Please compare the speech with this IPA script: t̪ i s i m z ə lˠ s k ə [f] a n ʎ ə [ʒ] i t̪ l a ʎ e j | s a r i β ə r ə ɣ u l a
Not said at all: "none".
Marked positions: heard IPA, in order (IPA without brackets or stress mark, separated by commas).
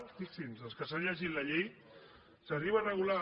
s, ʒ